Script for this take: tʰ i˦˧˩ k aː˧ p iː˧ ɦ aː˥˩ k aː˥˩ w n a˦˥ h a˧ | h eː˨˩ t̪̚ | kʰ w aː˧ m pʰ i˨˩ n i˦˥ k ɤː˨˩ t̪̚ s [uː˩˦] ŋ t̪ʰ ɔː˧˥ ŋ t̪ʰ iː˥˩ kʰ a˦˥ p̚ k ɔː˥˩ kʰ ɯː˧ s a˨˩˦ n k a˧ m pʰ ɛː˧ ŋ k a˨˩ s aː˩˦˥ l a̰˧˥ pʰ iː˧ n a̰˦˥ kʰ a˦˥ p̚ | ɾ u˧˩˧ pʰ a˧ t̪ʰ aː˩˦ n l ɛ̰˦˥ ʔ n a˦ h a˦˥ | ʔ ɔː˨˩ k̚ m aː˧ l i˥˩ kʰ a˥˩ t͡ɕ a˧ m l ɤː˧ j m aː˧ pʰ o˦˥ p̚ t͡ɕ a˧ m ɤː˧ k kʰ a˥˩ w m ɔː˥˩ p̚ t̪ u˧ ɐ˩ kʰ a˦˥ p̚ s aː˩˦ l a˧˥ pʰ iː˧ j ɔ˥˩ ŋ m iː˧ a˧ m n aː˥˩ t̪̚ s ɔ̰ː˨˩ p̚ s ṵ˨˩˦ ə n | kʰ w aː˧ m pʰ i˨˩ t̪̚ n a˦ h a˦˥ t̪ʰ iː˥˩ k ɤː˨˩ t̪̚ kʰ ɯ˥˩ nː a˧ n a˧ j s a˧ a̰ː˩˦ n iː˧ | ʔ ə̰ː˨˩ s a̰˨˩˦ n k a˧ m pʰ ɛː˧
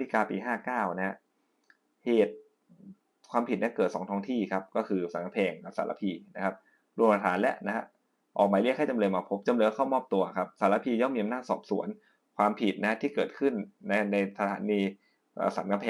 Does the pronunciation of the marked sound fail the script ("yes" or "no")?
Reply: yes